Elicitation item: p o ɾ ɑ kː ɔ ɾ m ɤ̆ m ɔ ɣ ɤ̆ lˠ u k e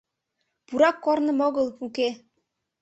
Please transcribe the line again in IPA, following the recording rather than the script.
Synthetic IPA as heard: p u ɾ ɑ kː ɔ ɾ n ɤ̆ m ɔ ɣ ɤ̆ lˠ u k e